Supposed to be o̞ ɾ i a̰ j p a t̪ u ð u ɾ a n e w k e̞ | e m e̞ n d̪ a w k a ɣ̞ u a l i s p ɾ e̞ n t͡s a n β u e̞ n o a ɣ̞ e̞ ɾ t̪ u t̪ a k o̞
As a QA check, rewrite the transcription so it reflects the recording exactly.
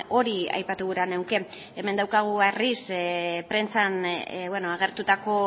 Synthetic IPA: o̞ ɾ i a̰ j p a t̪ u ɣ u ɾ a n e w k e̞ | e m e̞ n d̪ a w k a ɣ̞ u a r i s p ɾ e̞ n t͡s a n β w e̞ n o a ɣ̞ e̞ ɾ t̪ u t̪ a k o̞

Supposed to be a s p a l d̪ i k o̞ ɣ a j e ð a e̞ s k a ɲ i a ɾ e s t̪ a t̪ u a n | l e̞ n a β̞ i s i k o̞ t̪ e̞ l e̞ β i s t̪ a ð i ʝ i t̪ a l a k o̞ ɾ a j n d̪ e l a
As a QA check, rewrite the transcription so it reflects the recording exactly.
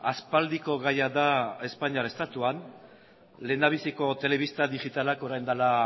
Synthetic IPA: a s p a l d̪ i k o̞ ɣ a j a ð a e̞ s p a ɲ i a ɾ e s t̪ a t̪ u a n | l e̞ n a β̞ i s i k o̞ t̪ e̞ l e̞ β i s t̪ a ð i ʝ i t̪ a l a k o̞ ɾ a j n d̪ a l a

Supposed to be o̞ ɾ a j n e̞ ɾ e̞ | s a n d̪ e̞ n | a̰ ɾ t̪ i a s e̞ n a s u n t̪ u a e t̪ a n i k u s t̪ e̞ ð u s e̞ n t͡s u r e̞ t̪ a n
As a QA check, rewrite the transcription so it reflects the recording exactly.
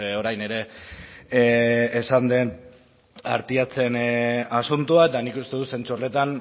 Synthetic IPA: o̞ ɾ a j n e̞ ɾ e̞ | s a n d̪ e̞ n | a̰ ɾ t̪ i a t͡s e̞ n a s u n t̪ u a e t̪ a n i k u s t̪ e̞ ð u s e̞ n t͡s u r e̞ t̪ a n

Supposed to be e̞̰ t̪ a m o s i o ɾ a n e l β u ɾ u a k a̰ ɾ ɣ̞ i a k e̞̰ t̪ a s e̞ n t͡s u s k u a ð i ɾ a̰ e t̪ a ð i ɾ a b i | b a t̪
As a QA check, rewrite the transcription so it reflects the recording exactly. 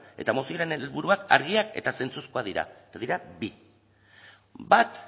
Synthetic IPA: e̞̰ t̪ a m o s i o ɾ e n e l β u ɾ u a k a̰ ɾ ɣ̞ i a k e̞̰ t̪ a s e̞ n t͡s u s k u a ð i ɾ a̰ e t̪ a ð i ɾ a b i | b a t̪

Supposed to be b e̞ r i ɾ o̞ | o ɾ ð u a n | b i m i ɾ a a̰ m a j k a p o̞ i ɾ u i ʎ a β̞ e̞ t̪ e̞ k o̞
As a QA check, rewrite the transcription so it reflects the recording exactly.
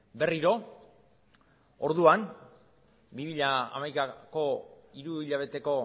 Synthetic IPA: b e̞ r i ɾ o̞ | o ɾ ð u a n | b i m i ʎ a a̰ m a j k a k o̞ i ɾ u i ʎ a β̞ e̞ t̪ e̞ k o̞

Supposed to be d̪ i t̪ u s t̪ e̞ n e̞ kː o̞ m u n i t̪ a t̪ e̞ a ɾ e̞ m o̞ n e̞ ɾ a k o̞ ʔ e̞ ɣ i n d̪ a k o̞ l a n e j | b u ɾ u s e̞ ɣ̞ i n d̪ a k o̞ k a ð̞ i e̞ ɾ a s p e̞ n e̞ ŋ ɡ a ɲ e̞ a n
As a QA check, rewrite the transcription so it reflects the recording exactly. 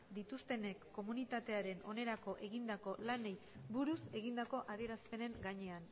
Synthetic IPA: d̪ i t̪ u s t̪ e̞ n e̞ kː o̞ m u n i t̪ a t̪ e̞ a ɾ e̞ n o̞ n e̞ ɾ a k o̞ ʔ e̞ ɣ i n d̪ a k o̞ l a n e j | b u ɾ u s e̞ ɣ̞ i n d̪ a k o̞ ʔ a ð̞ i e̞ ɾ a s p e̞ n e̞ ŋ ɡ a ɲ e̞ a n

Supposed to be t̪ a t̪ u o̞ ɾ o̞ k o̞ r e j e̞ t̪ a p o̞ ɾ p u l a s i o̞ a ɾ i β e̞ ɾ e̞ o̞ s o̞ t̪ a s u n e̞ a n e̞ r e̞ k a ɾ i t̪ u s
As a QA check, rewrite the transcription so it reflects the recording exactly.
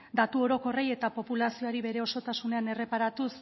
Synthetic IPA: d̪ a t̪ u o̞ ɾ o̞ k o̞ r e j e̞ t̪ a p o̞ p u l a s i o̞ a ɾ i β e̞ ɾ e̞ o̞ s o̞ t̪ a s u n e̞ a n e̞ r e̞ p a ɾ a t̪ u s

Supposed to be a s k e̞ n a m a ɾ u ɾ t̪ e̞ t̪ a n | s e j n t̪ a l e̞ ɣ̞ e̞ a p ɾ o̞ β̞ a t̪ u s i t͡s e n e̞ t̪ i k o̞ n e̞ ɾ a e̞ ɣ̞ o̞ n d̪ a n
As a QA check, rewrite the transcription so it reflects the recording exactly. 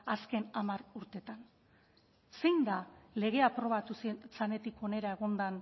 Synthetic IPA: a s k e̞ n a m a ɾ u ɾ t̪ e̞ t̪ a n | s e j n d̪ a l e̞ ɣ̞ e̞ a p ɾ o̞ β̞ a t̪ u s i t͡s a n e̞ t̪ i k o̞ n e̞ ɾ a e̞ ɣ̞ o̞ n d̪ a n

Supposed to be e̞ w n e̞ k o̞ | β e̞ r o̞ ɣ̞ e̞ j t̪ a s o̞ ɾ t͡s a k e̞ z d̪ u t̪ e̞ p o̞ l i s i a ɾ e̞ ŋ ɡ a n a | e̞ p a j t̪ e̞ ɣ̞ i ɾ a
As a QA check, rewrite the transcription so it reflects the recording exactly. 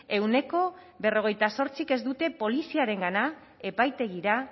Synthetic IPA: e̞ w n e̞ k o̞ | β e̞ r o̞ ɣ̞ e̞ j t̪ a s o̞ ɾ t͡s i k e̞ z d̪ u t̪ e̞ p o̞ l i s i a ɾ e̞ ŋ ɡ a n a | e̞ p a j t̪ e̞ ɣ̞ i ɾ a

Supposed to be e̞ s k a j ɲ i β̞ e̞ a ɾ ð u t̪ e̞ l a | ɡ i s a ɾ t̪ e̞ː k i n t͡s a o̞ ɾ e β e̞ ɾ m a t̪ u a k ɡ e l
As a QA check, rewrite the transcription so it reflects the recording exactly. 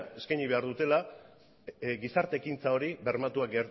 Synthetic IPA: e̞ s k a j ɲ i β̞ e̞ a ɾ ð u t̪ e̞ l a | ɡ i s a ɾ t̪ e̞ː k i n t͡s a o̞ ɾ i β e̞ ɾ m a t̪ u a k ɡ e ɾ

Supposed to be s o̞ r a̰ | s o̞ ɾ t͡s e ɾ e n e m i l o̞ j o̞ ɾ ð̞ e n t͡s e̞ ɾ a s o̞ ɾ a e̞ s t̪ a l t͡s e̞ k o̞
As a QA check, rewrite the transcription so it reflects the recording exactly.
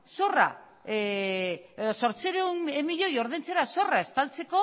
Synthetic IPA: s o̞ r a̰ | s o̞ ɾ t͡s e ɾ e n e m i ʎ o̞ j o̞ ɾ ð̞ e n t͡s e̞ ɾ a s o̞ r a e̞ s t̪ a l t͡s e̞ k o̞

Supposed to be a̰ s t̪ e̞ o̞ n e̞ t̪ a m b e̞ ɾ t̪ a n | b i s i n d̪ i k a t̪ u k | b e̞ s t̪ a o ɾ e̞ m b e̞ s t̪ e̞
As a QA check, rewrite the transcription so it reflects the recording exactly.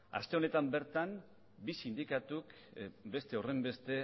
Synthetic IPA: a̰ s t̪ e̞ o̞ n e̞ t̪ a m b e̞ ɾ t̪ a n | b i s i n d̪ i k a t̪ u k | b e̞ s t̪ e o r e̞ m b e̞ s t̪ e̞

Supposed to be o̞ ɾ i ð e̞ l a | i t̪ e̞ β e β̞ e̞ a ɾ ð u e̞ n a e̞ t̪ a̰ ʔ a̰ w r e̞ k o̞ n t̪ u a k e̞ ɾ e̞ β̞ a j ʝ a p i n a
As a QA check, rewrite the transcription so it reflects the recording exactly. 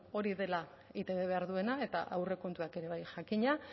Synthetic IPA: o̞ ɾ i ð e̞ l a | i t̪ e̞ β e β̞ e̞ a ɾ ð u e̞ n a e̞ t̪ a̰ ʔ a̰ w r e̞ k o̞ n t̪ u a k e̞ ɾ e̞ β̞ a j ʝ a k i ɲ a

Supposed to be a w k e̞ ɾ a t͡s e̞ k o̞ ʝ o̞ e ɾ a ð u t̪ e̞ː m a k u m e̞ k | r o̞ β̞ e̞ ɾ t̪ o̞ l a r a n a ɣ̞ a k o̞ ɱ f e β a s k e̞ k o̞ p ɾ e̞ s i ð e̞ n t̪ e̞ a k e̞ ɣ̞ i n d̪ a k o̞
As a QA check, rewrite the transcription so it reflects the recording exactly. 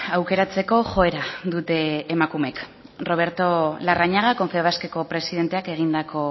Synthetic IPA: a w k e̞ ɾ a t͡s e̞ k o̞ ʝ o̞ e ɾ a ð u t̪ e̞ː m a k u m e̞ k | r o̞ β̞ e̞ ɾ t̪ o̞ l a r a ɲ a ɣ̞ a k o̞ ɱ f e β a s k e̞ k o̞ p ɾ e̞ s i ð e̞ n t̪ e̞ a k e̞ ɣ̞ i n d̪ a k o̞

